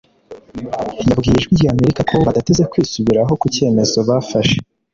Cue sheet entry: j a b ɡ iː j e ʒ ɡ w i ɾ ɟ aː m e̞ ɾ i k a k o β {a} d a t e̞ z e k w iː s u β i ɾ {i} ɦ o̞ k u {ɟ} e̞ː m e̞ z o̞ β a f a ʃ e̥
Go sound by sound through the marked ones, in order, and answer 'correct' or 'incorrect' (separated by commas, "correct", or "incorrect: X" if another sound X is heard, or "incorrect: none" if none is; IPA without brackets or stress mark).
correct, incorrect: a, incorrect: c